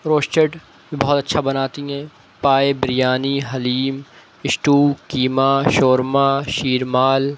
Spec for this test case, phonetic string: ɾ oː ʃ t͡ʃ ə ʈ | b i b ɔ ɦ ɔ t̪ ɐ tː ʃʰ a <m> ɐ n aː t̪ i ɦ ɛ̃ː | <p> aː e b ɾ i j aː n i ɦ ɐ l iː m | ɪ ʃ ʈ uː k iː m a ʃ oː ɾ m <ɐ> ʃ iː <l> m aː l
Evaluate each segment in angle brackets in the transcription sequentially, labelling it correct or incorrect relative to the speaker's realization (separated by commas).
incorrect, correct, incorrect, incorrect